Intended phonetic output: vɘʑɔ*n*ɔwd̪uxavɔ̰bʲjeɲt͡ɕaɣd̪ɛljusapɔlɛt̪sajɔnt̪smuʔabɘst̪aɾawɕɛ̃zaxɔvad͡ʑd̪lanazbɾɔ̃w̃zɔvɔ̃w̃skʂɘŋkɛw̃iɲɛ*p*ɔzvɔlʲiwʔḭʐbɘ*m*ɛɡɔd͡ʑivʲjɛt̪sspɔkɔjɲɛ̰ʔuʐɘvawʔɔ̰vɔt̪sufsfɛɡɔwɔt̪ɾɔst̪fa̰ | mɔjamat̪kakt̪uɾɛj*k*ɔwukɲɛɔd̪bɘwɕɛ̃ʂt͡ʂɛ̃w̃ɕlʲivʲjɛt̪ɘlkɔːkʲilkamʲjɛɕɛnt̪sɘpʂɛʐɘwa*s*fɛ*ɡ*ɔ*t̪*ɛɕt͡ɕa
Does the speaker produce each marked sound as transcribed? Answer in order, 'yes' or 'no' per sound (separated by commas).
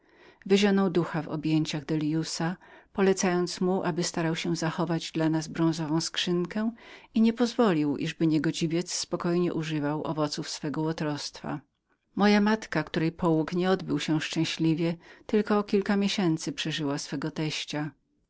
yes, yes, no, no, yes, yes, yes